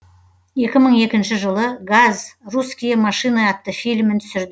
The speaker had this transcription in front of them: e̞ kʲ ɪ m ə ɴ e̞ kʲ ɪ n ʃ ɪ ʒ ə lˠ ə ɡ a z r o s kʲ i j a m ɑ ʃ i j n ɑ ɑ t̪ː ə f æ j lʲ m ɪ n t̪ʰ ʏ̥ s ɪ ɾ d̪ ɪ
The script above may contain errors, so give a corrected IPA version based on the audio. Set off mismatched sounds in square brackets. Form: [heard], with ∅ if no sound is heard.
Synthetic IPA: e̞ kʲ ɪ m ə ɴ e̞ kʲ ɪ n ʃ ɪ ʒ ə lˠ ə ɡ a z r [u] s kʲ i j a m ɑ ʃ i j n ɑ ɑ t̪ː ə f [i] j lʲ m ɪ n t̪ʰ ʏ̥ s ɪ ɾ d̪ ɪ